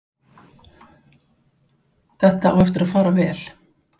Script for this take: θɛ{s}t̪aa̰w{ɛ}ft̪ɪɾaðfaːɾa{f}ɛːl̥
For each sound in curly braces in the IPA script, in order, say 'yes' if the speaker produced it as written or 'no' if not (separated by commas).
no, yes, no